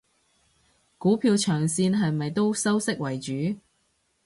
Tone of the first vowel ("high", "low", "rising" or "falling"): rising